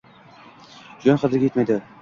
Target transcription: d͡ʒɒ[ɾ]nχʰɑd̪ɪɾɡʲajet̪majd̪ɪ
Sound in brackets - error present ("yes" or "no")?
yes